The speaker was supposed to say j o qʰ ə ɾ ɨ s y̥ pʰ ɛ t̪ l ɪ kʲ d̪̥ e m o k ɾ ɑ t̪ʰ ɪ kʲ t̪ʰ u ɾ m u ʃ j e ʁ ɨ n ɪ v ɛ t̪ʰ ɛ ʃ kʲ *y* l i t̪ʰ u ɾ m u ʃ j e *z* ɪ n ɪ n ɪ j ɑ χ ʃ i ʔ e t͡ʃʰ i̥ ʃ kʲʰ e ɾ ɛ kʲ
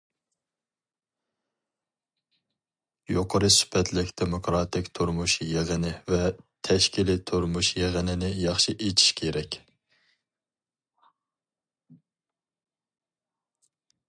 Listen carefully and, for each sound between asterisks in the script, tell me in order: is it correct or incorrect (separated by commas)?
incorrect, incorrect